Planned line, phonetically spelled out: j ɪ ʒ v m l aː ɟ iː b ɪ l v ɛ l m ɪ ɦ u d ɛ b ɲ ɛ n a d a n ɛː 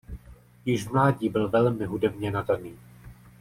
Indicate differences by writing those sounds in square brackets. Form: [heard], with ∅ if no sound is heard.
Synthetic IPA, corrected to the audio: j ɪ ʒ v m l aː ɟ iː b ɪ l v ɛ l m ɪ ɦ u d ɛ b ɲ ɛ n a d a n [iː]